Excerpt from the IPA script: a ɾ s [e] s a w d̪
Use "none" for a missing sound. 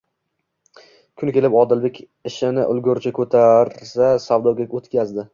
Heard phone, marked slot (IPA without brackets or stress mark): a